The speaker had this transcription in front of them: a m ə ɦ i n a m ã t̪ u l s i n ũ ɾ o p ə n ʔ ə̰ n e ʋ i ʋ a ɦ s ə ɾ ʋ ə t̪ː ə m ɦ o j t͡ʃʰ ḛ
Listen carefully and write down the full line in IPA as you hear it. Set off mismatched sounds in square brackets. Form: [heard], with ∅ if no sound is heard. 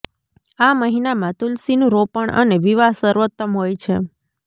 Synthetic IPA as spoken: a m ə ɦ i n a m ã t̪ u l s i n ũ ɾ o p ə [ɳ] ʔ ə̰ n e ʋ i ʋ a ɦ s ə ɾ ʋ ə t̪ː ə m ɦ o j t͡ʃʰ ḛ